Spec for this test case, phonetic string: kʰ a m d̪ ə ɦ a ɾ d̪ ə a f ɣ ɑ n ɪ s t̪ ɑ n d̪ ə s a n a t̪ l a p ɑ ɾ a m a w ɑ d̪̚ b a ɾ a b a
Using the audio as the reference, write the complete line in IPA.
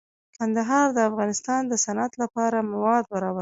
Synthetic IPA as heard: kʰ a n d̪ a ɦ ɑ ɾ d̪ ə a f ɣ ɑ n ɪ s t̪ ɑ n d̪ ə s a n a t̪ l a p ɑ ɾ a m a w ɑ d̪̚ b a ɾ ɑ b a